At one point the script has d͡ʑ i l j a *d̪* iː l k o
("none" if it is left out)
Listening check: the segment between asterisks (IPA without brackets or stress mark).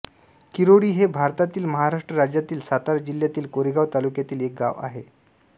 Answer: t̪